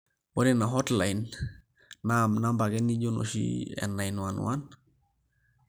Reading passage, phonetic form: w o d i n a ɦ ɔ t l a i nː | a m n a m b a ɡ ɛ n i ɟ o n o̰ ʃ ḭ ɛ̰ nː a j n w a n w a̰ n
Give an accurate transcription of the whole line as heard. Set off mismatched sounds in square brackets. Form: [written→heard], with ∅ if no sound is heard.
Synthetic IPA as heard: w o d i n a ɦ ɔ t l a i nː | a m n a m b a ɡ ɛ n i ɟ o n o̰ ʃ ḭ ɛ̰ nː a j n w a n w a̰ n